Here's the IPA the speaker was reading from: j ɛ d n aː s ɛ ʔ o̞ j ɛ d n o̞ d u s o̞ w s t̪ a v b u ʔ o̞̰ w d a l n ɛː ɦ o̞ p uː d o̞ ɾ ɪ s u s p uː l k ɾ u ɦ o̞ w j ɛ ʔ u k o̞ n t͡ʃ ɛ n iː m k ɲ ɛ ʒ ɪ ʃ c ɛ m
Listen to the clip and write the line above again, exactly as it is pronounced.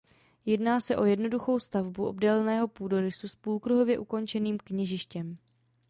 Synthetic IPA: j ɛ d n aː s ɛ ʔ o̞ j ɛ d n o̞ d u x o̞ w s t̪ a v b u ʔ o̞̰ b d ɛ l n ɛː ɦ o̞ p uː d o̞ ɾ ɪ s u s p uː l k ɾ u ɦ o̞ v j ɛ ʔ u k o̞ n t͡ʃ ɛ n iː m k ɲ ɛ ʒ ɪ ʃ c ɛ m